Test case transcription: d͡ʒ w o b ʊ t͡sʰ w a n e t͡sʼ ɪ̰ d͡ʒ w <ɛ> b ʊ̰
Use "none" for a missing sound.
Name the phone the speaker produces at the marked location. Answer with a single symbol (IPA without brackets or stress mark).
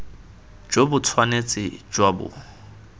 a